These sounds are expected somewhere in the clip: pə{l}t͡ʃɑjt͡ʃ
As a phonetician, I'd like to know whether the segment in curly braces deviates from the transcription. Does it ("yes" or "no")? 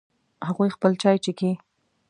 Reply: no